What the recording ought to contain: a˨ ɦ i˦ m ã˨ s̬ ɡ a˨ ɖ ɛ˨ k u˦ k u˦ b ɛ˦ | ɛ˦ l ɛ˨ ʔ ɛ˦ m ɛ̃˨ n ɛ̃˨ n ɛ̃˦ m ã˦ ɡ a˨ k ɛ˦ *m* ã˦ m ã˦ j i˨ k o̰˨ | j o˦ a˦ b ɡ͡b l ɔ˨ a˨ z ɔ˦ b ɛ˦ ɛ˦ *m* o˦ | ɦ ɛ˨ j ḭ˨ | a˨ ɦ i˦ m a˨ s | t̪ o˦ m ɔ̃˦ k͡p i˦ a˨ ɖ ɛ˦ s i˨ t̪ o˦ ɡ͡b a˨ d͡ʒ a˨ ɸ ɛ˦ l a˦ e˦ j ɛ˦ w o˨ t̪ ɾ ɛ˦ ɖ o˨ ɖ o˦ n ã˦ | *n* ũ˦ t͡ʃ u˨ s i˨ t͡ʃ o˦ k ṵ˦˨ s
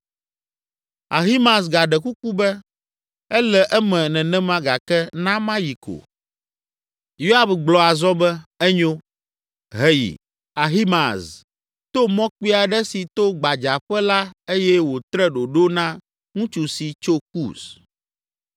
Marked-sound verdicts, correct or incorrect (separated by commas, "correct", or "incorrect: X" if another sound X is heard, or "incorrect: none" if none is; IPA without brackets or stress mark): incorrect: n, incorrect: ɲ, incorrect: ŋ